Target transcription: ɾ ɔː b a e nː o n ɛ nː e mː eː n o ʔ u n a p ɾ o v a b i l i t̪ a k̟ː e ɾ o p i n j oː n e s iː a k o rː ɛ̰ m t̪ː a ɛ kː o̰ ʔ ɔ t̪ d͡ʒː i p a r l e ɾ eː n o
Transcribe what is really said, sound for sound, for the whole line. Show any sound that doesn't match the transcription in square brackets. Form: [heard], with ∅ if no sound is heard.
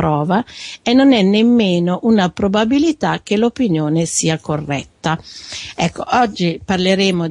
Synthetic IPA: ɾ ɔː [v] a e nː o n ɛ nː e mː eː n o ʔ u n a p ɾ o [b] a b i l i t̪ a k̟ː e [l] o p i n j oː n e s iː a k o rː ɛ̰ [∅] t̪ː a ɛ kː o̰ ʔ ɔ [∅] d͡ʒː i p a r l e ɾ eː [m] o